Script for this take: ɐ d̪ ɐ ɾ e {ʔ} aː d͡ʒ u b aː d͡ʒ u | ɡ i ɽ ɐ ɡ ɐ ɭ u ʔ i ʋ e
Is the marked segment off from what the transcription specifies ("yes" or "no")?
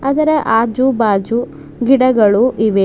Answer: no